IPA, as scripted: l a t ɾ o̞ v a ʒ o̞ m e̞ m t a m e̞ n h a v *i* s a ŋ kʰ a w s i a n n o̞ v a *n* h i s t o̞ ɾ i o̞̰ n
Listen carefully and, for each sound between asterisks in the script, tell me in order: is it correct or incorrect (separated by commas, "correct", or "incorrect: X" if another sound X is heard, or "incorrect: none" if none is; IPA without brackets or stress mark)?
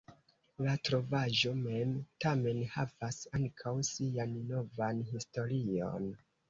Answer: incorrect: a, correct